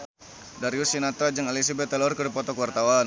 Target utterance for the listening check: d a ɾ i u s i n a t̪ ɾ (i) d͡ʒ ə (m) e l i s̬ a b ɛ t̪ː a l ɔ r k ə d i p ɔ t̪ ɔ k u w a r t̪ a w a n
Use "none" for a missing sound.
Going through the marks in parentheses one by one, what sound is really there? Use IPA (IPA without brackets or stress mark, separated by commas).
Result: a, ŋ